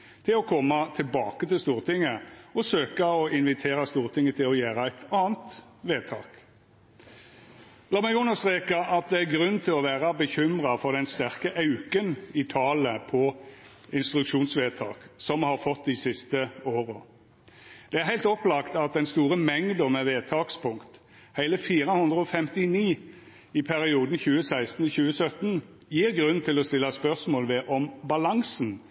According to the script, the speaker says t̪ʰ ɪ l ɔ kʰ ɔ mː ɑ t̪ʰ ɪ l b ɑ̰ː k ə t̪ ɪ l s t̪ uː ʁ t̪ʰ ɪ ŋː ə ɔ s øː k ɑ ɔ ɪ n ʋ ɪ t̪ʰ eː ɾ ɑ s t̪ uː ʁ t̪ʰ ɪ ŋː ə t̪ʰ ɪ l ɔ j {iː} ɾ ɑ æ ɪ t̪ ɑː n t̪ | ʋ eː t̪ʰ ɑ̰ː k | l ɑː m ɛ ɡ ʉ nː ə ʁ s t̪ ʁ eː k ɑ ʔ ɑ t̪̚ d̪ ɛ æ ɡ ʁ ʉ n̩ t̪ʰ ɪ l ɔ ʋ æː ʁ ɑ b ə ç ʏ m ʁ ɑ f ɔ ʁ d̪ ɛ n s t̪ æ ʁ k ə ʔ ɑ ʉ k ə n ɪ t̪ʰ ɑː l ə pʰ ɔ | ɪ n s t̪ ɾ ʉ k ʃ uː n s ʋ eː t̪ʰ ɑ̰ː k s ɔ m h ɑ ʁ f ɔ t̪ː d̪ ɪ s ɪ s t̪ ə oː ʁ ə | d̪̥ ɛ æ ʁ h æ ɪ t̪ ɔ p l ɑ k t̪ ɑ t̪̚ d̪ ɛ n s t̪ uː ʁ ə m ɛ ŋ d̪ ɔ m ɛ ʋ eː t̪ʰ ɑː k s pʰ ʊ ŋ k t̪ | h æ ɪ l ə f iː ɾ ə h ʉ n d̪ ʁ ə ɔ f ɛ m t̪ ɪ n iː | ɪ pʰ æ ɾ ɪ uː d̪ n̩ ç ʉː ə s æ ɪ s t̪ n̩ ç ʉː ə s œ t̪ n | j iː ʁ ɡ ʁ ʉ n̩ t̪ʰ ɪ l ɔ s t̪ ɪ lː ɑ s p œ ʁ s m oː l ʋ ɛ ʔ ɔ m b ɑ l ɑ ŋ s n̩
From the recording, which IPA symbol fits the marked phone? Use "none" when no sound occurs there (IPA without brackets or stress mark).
æː